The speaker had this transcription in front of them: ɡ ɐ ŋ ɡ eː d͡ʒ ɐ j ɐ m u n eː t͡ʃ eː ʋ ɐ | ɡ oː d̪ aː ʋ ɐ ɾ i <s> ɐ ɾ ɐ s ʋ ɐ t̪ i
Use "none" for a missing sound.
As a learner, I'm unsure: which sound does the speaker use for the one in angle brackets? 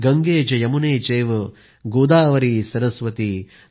s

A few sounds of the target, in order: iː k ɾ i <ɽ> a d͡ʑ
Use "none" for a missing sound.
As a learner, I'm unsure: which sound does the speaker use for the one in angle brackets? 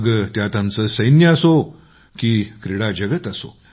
ɽ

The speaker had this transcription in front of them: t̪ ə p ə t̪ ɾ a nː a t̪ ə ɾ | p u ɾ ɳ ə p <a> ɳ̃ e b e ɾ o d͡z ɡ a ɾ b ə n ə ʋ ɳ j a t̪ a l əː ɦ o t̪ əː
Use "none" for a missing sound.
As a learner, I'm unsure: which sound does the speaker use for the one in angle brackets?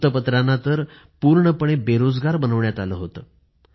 ə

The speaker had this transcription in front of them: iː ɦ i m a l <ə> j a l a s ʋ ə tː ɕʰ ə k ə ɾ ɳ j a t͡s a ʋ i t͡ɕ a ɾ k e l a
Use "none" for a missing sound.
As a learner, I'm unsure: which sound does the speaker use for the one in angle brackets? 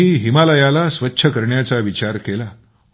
ə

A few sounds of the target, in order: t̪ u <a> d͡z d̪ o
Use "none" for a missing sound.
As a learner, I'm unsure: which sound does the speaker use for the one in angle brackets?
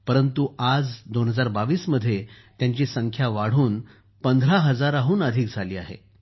a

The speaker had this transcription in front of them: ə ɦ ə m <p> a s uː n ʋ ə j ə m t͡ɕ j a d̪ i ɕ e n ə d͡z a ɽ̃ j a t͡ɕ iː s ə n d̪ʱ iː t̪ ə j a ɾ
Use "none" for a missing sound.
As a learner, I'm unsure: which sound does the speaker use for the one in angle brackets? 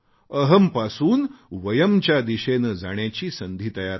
p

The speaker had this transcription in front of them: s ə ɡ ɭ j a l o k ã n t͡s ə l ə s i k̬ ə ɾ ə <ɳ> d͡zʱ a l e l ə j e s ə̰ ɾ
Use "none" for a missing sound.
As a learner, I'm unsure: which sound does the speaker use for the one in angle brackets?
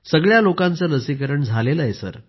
ɳ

